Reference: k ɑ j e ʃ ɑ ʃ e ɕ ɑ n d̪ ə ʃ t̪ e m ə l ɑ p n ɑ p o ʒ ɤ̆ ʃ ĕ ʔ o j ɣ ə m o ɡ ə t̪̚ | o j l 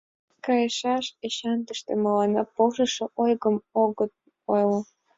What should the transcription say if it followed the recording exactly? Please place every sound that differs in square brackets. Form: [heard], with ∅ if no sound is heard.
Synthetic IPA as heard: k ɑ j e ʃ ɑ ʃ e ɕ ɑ n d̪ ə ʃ t̪ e m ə l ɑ [∅] n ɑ p o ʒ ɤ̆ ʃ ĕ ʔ o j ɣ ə m o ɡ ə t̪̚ | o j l